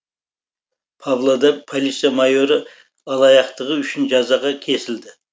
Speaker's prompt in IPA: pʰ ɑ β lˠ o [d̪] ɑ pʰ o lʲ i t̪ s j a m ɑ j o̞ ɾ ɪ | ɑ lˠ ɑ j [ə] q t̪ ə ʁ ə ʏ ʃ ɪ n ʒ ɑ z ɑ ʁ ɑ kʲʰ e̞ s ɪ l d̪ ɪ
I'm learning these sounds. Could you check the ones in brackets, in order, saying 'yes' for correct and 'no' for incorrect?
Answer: yes, no

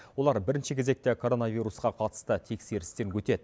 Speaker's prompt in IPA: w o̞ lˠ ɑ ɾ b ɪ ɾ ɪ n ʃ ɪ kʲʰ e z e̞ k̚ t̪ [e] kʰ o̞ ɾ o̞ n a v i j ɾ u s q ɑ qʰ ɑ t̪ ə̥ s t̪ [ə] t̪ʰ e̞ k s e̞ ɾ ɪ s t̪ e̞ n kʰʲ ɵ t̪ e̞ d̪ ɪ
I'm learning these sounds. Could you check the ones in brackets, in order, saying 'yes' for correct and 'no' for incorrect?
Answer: yes, yes

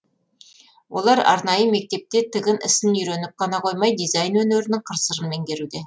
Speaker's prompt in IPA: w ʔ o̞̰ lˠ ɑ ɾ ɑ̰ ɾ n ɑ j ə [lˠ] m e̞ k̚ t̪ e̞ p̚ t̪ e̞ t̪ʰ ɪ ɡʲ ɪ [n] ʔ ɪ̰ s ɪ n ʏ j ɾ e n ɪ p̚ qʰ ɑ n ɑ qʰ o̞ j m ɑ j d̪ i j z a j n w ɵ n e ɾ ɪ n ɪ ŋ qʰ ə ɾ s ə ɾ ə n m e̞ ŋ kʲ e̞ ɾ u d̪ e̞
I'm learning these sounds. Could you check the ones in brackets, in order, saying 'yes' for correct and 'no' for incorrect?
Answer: no, yes

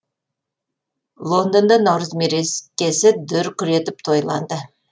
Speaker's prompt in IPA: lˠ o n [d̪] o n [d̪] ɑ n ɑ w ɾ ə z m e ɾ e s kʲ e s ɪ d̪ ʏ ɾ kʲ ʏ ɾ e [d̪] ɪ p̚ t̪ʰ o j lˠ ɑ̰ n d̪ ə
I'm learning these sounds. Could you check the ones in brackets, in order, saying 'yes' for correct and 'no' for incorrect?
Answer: yes, yes, no

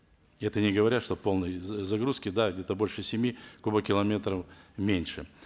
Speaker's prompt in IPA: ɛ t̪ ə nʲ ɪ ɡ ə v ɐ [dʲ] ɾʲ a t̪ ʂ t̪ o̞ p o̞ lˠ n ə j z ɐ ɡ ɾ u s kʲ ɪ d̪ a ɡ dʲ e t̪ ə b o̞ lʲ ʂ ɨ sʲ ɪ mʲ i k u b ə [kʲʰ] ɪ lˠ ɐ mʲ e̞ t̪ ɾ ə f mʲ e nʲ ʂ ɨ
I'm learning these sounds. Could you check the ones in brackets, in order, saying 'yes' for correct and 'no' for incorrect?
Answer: no, no

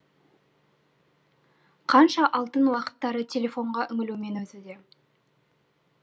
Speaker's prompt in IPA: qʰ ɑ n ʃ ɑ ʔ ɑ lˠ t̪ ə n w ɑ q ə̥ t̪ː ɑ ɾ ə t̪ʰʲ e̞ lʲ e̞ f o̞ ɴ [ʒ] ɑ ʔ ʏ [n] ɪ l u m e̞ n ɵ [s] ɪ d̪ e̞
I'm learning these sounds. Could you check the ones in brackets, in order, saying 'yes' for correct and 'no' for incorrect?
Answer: no, no, no

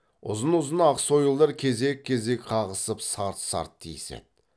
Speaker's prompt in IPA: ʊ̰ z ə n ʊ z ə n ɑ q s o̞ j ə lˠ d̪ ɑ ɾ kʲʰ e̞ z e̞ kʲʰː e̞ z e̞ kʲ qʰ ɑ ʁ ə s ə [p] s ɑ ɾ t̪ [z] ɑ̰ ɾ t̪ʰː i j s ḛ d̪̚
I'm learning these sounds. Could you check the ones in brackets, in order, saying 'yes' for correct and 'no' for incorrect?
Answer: yes, no

